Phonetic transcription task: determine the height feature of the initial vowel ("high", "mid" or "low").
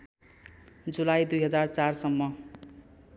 high